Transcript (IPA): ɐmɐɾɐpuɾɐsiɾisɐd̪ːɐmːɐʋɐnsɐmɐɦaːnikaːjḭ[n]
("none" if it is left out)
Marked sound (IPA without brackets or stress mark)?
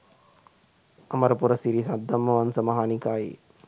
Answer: none